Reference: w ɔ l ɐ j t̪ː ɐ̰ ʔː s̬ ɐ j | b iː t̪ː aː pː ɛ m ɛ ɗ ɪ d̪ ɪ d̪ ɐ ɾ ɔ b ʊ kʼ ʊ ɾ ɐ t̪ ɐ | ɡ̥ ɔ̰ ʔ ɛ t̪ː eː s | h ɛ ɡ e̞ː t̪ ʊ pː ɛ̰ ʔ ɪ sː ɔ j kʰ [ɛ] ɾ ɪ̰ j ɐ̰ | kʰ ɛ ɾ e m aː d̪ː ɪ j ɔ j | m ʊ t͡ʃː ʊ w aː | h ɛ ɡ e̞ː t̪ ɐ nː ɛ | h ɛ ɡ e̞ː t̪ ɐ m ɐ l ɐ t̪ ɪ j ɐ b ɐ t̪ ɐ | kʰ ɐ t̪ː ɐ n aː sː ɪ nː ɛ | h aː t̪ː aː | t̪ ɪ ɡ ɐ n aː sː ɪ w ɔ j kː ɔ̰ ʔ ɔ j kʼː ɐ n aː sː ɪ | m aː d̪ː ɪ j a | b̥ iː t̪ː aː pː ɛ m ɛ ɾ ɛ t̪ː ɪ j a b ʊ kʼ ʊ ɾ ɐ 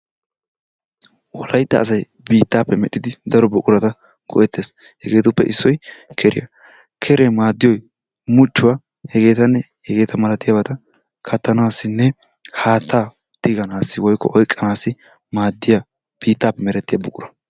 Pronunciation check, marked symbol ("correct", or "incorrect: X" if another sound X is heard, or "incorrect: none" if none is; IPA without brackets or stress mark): correct